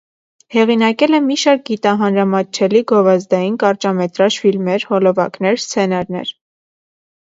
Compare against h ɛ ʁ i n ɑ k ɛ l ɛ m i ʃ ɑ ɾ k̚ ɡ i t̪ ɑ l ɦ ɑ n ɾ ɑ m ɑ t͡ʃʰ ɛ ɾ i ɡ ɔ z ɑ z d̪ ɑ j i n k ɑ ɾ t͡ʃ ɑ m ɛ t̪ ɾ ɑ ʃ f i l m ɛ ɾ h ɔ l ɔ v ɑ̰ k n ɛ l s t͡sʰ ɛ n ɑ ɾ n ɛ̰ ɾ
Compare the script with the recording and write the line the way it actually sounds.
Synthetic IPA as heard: h ɛ ʁ i n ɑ k ɛ l ɛ m i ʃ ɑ ɾ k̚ ɡ i t̪ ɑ ɦ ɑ n ɾ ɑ m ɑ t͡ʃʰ ɛ l i ɡ ɔ v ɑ z d̪ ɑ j i n k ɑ ɾ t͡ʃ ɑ m ɛ t̪ ɾ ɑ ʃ f i l m ɛ ɾ h ɔ l ɔ v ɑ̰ k n ɛ ɾ s t͡sʰ ɛ n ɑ ɾ n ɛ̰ ɾ